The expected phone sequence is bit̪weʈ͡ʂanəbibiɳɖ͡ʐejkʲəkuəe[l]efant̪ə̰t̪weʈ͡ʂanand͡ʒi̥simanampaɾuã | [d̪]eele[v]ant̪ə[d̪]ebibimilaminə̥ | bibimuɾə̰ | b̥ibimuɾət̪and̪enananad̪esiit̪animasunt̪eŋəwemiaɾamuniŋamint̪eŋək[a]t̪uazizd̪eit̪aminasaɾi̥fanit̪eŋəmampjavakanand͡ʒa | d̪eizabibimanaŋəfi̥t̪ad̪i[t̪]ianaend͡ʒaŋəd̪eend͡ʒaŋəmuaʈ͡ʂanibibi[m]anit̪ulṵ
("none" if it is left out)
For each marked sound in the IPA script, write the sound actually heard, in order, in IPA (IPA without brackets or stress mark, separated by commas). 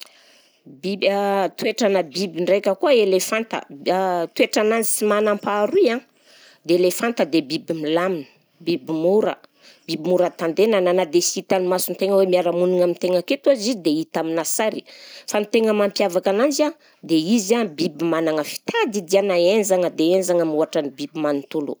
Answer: l, d̪, f, d̪, e, d̪, m